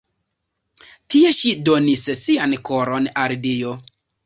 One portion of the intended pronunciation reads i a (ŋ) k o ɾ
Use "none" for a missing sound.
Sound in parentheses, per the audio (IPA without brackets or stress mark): n